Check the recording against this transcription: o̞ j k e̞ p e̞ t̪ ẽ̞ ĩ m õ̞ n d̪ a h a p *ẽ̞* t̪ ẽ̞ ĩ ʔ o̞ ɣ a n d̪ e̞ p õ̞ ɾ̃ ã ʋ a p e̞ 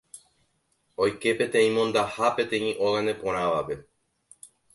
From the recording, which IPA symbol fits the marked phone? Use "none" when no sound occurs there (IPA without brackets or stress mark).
e̞